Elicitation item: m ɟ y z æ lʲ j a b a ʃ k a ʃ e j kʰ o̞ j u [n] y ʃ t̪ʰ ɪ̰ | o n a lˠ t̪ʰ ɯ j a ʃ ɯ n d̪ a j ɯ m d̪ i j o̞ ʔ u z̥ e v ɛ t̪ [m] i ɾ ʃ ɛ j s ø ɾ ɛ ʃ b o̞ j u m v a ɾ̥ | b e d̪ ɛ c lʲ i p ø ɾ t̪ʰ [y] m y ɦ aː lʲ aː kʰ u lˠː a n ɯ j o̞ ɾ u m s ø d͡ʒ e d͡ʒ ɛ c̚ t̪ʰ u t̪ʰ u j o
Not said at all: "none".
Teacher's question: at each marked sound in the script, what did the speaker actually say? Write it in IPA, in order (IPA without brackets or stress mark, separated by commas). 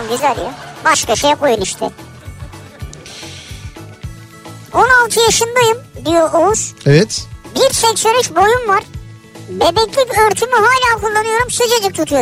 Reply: n, b, y